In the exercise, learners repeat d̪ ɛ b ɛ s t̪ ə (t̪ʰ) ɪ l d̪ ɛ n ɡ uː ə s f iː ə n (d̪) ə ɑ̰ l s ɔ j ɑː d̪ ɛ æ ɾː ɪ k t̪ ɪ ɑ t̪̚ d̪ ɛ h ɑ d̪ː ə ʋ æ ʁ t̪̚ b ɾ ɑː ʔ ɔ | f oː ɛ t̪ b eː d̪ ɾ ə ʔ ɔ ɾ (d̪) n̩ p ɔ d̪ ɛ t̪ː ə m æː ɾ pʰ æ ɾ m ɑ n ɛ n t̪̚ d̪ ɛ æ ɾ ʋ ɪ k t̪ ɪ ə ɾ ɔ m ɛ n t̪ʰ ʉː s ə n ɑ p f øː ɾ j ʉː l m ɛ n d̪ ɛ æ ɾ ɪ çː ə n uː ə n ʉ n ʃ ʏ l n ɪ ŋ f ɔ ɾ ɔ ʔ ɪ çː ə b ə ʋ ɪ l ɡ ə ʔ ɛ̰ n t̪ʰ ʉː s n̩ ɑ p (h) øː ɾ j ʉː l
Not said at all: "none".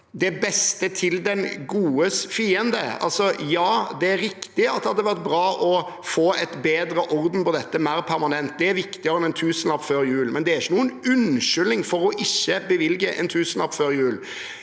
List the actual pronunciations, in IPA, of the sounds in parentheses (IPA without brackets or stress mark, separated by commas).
t̪ʰ, d̪, d̪, f